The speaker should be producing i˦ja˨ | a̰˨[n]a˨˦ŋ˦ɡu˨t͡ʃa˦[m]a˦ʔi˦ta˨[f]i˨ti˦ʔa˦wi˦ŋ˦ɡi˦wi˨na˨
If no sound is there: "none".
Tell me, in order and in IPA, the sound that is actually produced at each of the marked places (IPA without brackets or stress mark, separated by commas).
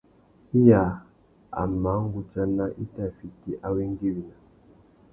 m, n, f